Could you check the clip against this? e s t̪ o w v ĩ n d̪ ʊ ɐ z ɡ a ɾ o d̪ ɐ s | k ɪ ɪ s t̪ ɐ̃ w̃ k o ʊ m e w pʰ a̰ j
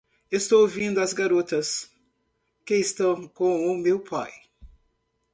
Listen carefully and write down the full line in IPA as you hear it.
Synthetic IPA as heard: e s t̪ o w v ĩ n d̪ ʊ ɐ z ɡ a ɾ o t̪ ɐ s | k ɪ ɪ s t̪ ɐ̃ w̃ k õ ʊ m e w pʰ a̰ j